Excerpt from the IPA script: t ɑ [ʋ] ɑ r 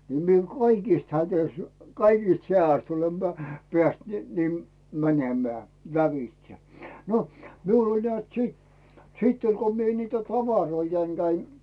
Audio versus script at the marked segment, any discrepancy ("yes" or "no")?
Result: no